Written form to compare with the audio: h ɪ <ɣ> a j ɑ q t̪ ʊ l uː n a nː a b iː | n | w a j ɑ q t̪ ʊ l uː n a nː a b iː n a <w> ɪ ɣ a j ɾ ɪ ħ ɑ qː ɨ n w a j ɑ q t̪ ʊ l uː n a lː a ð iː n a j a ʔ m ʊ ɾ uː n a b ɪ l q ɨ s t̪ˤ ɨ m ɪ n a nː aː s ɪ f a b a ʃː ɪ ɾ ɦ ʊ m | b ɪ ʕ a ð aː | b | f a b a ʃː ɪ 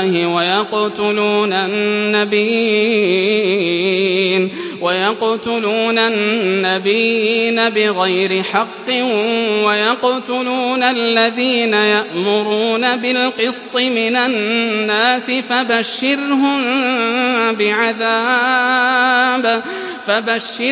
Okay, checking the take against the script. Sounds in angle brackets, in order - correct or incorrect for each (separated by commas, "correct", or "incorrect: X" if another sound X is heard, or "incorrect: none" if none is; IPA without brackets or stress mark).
incorrect: w, incorrect: b